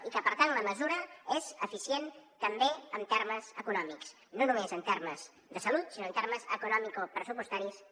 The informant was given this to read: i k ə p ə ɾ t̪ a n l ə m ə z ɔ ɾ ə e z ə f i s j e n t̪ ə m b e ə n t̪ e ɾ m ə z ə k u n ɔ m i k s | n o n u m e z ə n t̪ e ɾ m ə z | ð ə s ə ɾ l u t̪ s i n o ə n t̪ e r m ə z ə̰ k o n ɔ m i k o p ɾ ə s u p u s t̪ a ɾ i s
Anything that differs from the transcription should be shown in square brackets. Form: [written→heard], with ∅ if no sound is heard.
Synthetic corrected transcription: i k ə p ə ɾ t̪ a n l ə m ə z [ɔ→u] ɾ ə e z ə f i s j e n t̪ ə m b e ə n t̪ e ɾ m ə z ə k u n ɔ m i k s | n o n u m e z ə n t̪ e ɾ m ə z | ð ə s ə [ɾ→∅] l u t̪ s i n o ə n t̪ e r m ə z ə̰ k [o→u] n ɔ m i k o p ɾ ə s u p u s t̪ a ɾ i s

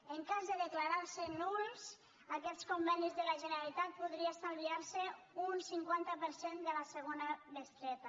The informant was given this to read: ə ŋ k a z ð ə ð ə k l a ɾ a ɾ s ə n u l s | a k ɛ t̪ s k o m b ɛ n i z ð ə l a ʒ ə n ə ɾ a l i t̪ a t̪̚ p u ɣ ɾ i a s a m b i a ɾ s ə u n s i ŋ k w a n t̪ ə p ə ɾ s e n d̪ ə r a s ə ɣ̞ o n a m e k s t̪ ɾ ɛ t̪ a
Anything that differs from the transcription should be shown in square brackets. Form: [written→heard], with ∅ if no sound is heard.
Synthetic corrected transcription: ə ŋ k a z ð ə ð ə k l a ɾ a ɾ s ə n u l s | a k ɛ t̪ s k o m b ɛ n i z ð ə l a ʒ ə n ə ɾ a l i t̪ a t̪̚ p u [ɣ→ð] ɾ i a s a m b i a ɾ s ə u n s i ŋ k w a n t̪ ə p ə ɾ s e n d̪ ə [r→l] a s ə ɣ̞ o n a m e [k→∅] s t̪ ɾ ɛ t̪ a

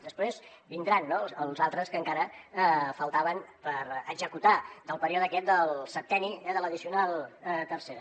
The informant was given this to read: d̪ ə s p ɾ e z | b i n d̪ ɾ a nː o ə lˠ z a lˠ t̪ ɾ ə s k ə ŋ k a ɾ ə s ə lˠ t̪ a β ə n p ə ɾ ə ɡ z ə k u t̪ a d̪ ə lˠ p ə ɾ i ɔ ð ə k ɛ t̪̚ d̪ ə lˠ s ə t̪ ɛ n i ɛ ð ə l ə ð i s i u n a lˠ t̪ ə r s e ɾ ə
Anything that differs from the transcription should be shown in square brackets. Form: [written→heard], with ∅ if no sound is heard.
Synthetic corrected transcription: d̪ ə s p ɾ e z | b i n d̪ ɾ a nː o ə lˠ z a lˠ t̪ ɾ ə s k ə ŋ k a ɾ ə [s→f] ə lˠ t̪ a β ə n p ə ɾ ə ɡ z ə k u t̪ a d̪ ə lˠ p ə ɾ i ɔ ð ə k ɛ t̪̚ d̪ ə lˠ s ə t̪ ɛ n i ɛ ð ə l ə ð i s i u n a lˠ t̪ ə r s e ɾ ə

